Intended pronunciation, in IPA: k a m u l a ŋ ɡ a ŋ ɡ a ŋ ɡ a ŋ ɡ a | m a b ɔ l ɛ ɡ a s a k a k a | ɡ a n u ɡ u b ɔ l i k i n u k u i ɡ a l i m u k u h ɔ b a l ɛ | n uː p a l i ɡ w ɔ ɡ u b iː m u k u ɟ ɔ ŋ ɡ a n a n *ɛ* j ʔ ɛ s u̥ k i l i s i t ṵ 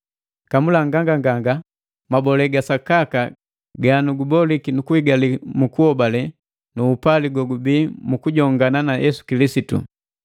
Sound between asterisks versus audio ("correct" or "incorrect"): incorrect